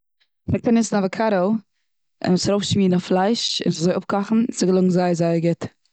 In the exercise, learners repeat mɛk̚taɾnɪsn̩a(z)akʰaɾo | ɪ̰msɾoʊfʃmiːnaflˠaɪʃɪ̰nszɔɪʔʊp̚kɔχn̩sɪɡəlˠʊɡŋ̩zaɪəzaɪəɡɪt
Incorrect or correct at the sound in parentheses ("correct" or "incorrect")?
incorrect